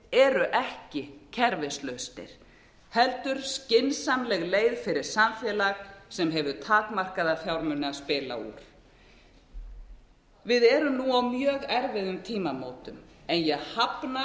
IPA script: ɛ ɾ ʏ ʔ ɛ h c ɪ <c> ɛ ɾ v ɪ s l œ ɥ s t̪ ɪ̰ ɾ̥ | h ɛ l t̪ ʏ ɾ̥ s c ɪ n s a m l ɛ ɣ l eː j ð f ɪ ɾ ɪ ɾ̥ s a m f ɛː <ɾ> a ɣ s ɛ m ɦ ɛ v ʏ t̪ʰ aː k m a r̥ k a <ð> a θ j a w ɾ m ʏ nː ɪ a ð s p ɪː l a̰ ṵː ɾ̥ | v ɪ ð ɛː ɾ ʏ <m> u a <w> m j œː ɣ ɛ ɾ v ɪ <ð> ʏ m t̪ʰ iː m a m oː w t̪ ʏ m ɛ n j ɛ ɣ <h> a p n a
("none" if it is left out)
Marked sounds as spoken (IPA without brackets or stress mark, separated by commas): cʰ, l, ð, n, w, ð, h